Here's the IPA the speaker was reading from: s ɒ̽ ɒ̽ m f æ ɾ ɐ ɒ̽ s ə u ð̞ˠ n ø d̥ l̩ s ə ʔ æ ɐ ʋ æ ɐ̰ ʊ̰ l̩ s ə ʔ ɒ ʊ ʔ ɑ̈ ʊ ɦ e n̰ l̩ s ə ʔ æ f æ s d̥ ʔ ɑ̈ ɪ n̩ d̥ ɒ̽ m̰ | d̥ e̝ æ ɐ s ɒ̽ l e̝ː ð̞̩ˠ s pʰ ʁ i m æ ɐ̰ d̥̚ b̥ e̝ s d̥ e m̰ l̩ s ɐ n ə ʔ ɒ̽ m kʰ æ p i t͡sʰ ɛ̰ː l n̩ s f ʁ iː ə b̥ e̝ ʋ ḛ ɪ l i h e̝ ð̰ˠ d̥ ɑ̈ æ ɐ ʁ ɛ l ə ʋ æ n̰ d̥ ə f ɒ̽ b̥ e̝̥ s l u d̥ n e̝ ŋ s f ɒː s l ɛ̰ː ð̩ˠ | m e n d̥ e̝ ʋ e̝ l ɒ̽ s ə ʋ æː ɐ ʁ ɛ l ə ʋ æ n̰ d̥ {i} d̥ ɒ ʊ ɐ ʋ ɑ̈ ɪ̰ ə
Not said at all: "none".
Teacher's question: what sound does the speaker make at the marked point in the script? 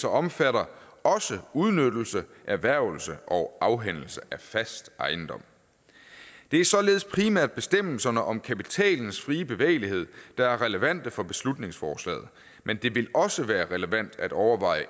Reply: æ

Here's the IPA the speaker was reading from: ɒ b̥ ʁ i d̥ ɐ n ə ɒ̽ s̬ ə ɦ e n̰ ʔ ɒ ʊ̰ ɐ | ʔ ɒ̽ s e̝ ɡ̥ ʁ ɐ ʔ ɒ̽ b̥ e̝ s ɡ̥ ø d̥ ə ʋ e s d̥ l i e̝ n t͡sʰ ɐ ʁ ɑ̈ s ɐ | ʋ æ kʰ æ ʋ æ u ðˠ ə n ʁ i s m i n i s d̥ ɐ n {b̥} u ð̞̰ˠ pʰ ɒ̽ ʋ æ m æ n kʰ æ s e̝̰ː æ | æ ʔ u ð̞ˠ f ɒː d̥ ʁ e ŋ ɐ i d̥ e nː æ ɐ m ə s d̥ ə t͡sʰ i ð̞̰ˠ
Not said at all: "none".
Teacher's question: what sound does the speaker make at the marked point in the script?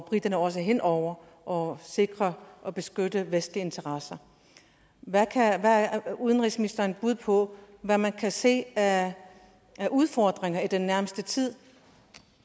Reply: b̥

